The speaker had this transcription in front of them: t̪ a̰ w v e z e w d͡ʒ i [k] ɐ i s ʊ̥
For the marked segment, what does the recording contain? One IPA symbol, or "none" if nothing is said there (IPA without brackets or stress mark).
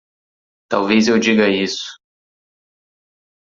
ɡ